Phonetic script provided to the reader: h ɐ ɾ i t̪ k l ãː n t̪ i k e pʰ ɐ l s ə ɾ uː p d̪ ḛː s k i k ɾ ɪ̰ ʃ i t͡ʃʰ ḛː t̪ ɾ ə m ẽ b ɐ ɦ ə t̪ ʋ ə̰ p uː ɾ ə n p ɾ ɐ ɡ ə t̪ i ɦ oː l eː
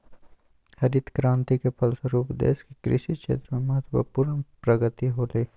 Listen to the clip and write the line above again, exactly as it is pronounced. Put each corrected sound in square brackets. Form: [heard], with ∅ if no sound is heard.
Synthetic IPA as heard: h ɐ ɾ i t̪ k [ɾ] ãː n t̪ i k e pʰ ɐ l s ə ɾ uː p d̪ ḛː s k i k ɾ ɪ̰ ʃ i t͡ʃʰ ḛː t̪ ɾ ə m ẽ [m] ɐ ɦ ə t̪ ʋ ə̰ p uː ɾ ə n p ɾ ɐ ɡ ə t̪ i ɦ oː l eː